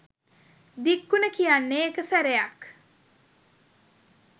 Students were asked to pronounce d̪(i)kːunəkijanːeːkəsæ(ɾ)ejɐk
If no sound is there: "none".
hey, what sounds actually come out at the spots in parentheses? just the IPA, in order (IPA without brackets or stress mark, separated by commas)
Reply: i, ɾ